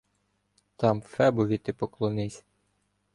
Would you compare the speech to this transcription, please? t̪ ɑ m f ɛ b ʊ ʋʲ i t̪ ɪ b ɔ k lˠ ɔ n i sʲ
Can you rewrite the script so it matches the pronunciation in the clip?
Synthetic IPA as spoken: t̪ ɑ m f ɛ b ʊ ʋʲ i t̪ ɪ p ɔ k lˠ ɔ n ɪ sʲ